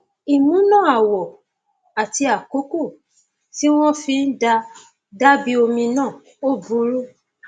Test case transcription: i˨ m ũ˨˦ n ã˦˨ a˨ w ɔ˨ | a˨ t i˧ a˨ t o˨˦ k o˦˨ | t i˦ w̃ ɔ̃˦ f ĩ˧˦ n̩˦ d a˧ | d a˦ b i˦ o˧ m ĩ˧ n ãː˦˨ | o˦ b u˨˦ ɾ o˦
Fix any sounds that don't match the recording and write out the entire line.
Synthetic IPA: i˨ m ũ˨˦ n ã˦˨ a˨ w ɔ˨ | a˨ t i˧ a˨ k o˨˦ k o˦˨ | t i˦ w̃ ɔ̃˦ f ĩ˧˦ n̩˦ d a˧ | d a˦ b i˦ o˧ m ĩ˧ n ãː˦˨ | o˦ b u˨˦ ɾ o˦